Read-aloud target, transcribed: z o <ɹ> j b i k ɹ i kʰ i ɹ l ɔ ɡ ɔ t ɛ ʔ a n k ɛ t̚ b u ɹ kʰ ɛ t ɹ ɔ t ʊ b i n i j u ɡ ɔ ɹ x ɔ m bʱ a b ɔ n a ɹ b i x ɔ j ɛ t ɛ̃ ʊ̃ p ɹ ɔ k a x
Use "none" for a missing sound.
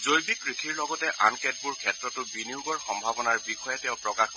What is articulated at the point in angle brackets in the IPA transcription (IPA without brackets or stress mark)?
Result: none